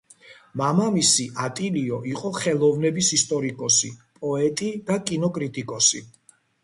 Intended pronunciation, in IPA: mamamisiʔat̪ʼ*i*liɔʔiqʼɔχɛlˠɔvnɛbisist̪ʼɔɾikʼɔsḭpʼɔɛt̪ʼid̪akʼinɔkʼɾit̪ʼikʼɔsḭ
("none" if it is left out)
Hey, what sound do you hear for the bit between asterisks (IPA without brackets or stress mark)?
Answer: i